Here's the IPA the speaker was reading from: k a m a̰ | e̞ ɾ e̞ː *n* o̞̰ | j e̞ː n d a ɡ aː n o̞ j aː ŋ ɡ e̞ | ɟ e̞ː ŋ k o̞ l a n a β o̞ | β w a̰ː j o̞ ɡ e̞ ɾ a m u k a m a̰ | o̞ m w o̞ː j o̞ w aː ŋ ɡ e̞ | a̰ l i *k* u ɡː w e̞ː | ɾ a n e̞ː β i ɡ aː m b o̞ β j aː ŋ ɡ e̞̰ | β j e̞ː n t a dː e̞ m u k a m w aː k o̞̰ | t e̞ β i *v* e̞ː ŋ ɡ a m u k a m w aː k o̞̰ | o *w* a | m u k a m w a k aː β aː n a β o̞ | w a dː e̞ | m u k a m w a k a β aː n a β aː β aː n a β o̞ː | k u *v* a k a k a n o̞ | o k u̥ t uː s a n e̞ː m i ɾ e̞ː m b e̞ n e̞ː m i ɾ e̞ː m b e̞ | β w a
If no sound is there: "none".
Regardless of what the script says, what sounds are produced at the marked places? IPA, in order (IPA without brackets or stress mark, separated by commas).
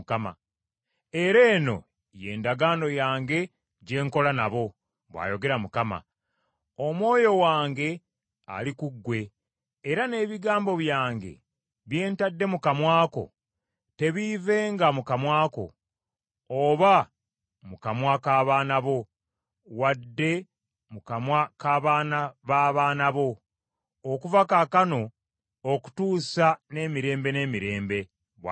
n, k, v, β, v